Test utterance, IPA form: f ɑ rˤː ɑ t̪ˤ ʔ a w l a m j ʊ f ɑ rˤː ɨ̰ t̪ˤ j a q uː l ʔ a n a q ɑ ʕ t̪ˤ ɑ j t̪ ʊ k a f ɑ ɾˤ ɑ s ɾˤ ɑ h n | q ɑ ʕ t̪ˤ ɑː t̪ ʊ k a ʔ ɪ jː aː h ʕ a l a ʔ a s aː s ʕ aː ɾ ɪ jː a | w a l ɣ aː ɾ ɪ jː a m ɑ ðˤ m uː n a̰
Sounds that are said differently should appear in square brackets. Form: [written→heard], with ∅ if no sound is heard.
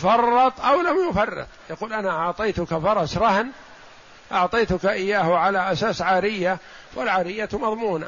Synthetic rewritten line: f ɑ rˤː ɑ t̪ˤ ʔ a w l a m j ʊ f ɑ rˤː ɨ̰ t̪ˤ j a q uː l ʔ a n a [q→ʔ] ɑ ʕ t̪ˤ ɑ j t̪ ʊ k a f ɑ ɾˤ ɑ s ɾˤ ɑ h n | [q→ʔ] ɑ ʕ t̪ˤ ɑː t̪ ʊ k a ʔ ɪ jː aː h ʕ a l a ʔ a s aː s ʕ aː ɾ ɪ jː a | w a l [ɣ→ʕ] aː ɾ ɪ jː a m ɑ ðˤ m uː n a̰